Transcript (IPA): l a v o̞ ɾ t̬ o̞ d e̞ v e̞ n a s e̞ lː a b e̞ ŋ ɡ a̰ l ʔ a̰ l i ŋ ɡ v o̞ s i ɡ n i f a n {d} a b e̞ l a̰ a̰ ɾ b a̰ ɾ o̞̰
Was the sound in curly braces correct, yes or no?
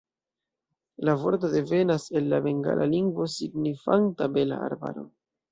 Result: no